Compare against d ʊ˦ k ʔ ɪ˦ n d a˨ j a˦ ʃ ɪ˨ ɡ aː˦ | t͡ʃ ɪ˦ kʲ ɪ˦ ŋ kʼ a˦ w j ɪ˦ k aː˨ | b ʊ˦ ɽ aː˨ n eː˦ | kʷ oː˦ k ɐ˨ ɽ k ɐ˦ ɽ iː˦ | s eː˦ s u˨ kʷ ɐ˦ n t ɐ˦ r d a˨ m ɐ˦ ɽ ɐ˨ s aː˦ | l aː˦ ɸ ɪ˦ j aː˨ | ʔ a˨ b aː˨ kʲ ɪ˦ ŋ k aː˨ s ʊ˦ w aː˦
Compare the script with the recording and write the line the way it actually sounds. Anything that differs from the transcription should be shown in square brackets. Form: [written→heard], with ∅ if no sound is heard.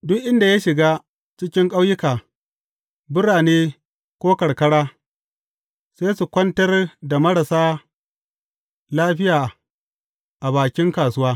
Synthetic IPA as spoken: d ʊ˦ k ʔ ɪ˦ n d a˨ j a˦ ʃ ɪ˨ ɡ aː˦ | t͡ʃ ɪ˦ kʲ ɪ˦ ŋ kʼ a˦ w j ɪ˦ k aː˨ | b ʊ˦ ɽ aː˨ n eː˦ | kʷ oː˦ k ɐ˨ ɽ k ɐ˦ ɽ [iː˦→aː˦] | s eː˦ s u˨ kʷ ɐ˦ n t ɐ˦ r d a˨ m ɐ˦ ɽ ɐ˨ s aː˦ | l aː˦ ɸ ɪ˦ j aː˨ | ʔ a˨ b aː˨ kʲ ɪ˦ ŋ k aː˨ s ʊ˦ w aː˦